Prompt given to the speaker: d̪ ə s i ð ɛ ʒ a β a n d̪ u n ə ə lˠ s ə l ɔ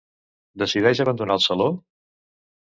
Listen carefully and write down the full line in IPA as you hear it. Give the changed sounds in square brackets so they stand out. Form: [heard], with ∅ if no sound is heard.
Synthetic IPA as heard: d̪ ə s i ð ɛ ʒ [ə] β [ə] n d̪ u n [a] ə lˠ s ə l [o]